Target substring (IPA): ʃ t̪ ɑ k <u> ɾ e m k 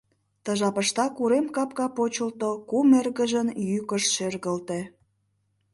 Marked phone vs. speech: correct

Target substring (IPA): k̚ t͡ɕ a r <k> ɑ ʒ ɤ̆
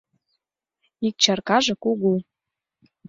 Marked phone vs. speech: correct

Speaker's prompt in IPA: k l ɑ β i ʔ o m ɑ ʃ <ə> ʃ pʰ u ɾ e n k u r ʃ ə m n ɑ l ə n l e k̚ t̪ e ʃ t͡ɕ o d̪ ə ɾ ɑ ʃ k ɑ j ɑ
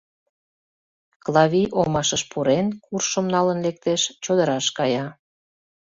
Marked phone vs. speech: correct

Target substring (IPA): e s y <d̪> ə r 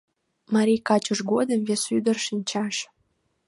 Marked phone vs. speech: correct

